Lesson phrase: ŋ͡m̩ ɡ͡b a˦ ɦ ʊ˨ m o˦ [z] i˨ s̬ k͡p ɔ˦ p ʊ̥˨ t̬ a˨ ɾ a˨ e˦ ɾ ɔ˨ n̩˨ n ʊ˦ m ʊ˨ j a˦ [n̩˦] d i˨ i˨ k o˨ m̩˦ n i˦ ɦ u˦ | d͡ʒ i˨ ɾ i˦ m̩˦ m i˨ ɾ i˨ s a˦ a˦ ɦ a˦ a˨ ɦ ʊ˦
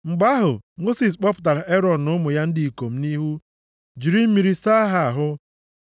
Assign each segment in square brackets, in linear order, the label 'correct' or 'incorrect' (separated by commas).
incorrect, correct